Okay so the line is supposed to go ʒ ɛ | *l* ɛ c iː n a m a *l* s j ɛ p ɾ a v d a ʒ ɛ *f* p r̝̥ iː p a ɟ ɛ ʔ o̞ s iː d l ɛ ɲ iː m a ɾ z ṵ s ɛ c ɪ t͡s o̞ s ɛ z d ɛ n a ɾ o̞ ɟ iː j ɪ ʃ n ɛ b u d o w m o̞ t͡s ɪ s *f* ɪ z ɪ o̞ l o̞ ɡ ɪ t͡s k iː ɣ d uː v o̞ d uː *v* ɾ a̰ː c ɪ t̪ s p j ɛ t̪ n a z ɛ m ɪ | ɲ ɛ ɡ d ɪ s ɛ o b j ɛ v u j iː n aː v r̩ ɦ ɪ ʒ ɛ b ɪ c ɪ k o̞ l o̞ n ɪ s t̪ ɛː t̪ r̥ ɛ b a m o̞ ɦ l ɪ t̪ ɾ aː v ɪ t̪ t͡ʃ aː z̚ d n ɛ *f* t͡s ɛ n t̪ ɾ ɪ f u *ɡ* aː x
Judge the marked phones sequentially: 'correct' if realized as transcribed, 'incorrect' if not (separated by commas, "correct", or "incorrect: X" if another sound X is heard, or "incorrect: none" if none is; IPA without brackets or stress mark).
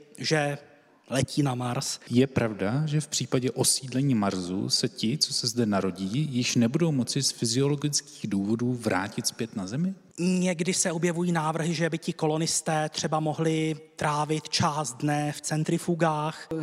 correct, incorrect: ɾ, correct, correct, correct, correct, correct